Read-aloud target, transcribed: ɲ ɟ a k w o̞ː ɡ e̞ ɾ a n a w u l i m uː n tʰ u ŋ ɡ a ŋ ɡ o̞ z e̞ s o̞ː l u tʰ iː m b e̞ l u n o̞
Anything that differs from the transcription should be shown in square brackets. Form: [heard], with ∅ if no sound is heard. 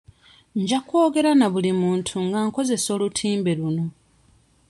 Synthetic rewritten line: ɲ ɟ a k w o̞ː ɡ e̞ ɾ a n a [β] u l i m uː n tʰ u ŋ ɡ a ŋ [k] o̞ z e̞ s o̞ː l u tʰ iː m b e̞ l u n o̞